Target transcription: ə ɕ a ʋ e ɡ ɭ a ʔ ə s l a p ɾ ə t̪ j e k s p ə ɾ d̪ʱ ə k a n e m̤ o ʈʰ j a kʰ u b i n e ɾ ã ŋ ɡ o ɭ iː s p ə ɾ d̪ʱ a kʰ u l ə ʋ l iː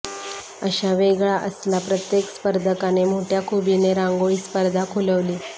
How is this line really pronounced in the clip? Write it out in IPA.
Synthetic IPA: ə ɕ a ʋ e ɡ ɭ a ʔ ə s l a p ɾ ə t̪ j e k s p ə ɾ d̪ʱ ə k a n e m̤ o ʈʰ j a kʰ u b i n e ɾ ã ŋ ɡ o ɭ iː s p ə ɾ d̪ʱ a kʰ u l ə ʋ l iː